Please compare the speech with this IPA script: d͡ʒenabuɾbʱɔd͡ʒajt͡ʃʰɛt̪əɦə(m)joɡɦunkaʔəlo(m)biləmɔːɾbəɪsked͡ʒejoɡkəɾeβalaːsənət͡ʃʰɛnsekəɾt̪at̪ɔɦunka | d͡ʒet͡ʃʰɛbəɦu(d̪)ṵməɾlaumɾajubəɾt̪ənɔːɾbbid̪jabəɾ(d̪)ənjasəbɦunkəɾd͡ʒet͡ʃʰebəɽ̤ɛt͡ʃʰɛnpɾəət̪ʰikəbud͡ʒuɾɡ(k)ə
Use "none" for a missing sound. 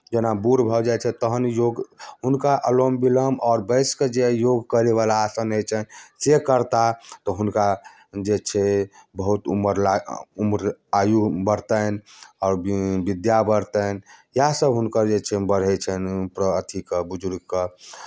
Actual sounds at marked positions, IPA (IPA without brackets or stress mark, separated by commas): n, m, t̪, t̪, k